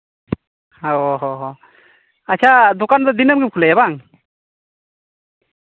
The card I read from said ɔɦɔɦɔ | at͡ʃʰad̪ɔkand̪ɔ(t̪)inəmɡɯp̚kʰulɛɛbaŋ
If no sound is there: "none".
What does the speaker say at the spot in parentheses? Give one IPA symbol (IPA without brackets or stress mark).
d̪